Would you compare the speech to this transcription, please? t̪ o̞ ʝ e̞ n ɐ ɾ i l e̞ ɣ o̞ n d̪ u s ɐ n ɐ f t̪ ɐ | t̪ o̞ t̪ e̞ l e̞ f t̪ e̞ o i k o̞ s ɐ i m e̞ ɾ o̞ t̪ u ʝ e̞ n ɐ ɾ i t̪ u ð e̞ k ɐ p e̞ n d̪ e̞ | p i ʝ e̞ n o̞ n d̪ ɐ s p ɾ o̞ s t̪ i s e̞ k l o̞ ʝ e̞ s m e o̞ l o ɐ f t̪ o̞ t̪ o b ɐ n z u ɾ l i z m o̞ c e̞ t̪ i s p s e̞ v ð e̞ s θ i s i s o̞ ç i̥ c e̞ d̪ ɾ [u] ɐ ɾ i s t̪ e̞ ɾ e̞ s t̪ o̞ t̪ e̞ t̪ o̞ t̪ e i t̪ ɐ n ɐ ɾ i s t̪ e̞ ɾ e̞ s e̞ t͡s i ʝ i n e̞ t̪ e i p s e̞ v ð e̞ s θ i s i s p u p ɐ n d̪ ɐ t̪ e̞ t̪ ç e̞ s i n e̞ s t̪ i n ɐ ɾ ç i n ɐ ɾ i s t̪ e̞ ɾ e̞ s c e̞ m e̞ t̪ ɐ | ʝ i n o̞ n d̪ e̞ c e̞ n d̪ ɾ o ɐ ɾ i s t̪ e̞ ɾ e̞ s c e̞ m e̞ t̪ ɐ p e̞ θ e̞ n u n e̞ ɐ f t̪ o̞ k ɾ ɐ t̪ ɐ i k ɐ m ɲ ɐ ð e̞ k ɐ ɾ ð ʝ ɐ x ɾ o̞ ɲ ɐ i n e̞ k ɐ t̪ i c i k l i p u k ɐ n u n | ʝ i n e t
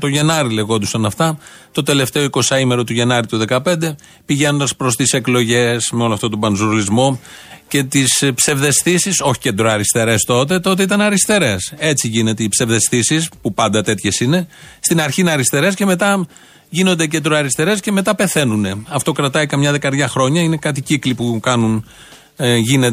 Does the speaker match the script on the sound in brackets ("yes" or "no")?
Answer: no